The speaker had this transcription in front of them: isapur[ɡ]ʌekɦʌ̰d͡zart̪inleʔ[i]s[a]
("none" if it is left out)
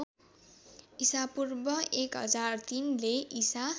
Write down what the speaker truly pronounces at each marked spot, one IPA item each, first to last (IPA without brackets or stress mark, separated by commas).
b, i, a